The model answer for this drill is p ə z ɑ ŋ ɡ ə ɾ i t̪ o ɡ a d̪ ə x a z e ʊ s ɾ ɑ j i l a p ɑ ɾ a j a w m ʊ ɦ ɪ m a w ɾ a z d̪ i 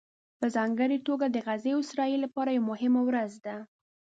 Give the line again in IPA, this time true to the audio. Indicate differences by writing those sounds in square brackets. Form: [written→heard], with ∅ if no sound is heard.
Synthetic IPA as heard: p ə z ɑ ŋ ɡ ə ɾ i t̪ o ɡ a d̪ ə [x→ɣ] a z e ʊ s ɾ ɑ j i l a p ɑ ɾ a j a w m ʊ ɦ ɪ m a w ɾ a z d̪ [i→a]